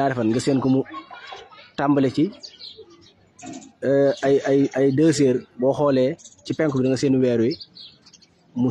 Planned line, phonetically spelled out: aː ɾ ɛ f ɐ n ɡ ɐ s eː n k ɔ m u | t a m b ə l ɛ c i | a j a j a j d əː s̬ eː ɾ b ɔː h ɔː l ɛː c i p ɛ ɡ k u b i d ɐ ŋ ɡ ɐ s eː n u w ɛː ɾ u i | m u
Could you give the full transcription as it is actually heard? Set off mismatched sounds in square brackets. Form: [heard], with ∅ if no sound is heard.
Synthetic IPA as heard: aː ɾ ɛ f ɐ n ɡ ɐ s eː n k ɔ m u | t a m b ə l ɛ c i | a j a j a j d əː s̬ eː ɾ b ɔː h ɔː l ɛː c i p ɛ [ŋ] k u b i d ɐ ŋ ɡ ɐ s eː n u w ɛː ɾ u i | m u

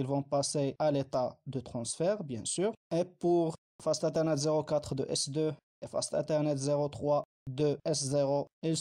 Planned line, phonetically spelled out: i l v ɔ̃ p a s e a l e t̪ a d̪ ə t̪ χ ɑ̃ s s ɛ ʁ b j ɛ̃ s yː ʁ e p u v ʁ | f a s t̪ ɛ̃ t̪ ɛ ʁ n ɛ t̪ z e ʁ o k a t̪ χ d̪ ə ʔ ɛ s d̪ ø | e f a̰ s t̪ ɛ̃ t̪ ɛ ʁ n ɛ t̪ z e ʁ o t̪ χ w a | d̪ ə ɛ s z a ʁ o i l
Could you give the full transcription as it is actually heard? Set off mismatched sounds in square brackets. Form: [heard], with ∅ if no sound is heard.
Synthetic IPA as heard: i l v ɔ̃ p a s e a l e t̪ a d̪ ə t̪ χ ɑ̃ s [f] ɛ ʁ b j ɛ̃ s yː ʁ e p u [∅] ʁ | f a s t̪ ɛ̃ t̪ ɛ ʁ n ɛ t̪ z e ʁ o k a t̪ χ d̪ ə ʔ ɛ s d̪ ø | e f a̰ s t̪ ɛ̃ t̪ ɛ ʁ n ɛ t̪ z e ʁ o t̪ χ w a | d̪ ə ɛ s z [e] ʁ o i l

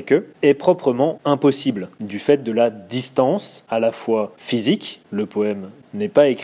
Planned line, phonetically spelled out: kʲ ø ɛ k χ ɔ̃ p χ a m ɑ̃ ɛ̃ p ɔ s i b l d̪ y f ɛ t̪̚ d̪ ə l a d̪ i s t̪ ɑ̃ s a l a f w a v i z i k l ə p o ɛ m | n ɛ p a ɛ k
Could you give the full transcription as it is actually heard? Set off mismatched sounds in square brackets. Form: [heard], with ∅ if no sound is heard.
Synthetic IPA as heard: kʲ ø ɛ [p] χ [ɔ] p χ [ə] m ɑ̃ ɛ̃ p ɔ s i b l d̪ y f ɛ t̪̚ d̪ ə l a d̪ i s t̪ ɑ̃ s a l a f w a [f] i z i k l ə p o ɛ m | n ɛ p a [e] k

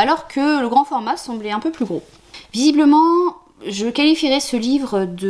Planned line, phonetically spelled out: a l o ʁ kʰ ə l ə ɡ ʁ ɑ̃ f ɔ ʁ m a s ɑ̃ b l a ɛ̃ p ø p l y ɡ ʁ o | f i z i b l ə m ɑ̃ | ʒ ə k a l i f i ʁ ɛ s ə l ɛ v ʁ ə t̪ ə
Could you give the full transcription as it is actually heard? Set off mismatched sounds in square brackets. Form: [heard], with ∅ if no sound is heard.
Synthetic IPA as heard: a l [ɔ] ʁ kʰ ə l ə ɡ ʁ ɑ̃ f ɔ ʁ m a s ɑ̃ b l [ɛ] ɛ̃ p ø p l y ɡ ʁ o | [v] i z i b l ə m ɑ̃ | ʒ ə k a l i f i ʁ ɛ s ə l [i] v ʁ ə [d̪] ə

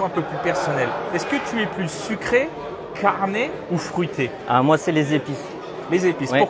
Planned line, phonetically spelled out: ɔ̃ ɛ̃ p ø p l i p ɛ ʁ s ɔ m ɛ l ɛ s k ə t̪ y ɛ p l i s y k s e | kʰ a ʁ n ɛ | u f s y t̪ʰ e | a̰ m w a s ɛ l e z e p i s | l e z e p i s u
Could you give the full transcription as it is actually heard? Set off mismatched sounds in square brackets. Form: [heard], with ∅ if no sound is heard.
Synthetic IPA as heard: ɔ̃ ɛ̃ p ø p l [y] p ɛ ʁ s ɔ [n] ɛ l ɛ s k ə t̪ y ɛ p l [y] s y k [χ] e | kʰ a ʁ n [e] | u f [χ] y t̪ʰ e | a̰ m w a s ɛ l e z e p i s | l e z e p i s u

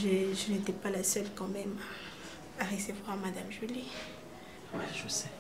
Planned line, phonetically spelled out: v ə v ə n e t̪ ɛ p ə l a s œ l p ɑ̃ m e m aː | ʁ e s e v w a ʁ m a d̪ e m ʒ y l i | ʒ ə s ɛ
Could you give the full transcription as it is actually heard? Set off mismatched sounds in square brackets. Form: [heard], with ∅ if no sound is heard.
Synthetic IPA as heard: [ʒ] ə [ʒ] ə n e t̪ ɛ p [a] l a s œ l [k] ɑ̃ m [ɛ] m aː | ʁ e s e v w a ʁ m a d̪ [a] m ʒ y l i | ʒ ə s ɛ

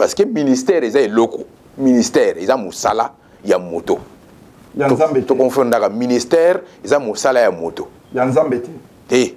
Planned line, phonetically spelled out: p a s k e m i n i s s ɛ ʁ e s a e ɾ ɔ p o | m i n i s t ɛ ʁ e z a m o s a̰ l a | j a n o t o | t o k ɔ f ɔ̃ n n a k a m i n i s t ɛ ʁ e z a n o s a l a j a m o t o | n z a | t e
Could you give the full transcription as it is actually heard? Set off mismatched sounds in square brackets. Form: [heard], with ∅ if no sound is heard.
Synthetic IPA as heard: p a s k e m i n i s [t] ɛ ʁ e [z] a e [l] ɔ [k] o | m i n i s t ɛ ʁ e z a m o s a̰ l a | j a [m] o t o | t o k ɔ f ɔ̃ n [d] a k a m i n i s t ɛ ʁ e z a [m] o s a l a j a m o t o | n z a | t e

